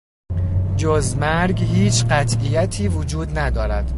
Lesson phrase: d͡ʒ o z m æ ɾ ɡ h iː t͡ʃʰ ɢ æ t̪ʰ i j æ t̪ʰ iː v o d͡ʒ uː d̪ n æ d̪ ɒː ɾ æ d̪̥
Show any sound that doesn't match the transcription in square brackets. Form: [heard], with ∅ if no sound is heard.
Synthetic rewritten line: d͡ʒ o z m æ ɾ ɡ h iː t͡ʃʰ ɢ æ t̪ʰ i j æ t̪ʰ iː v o d͡ʒ uː d̪ n æ d̪ ɒː ɾ æ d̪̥